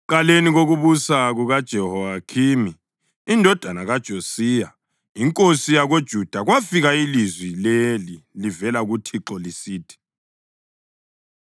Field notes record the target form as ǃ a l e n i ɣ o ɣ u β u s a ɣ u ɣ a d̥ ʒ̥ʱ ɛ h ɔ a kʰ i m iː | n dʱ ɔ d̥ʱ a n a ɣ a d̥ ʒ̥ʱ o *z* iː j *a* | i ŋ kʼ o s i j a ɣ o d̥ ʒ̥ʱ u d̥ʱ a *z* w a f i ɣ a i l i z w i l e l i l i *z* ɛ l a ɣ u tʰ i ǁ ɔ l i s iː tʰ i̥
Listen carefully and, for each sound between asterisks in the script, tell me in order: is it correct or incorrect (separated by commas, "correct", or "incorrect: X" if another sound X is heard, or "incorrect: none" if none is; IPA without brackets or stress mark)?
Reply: incorrect: s, correct, incorrect: ɣ, incorrect: v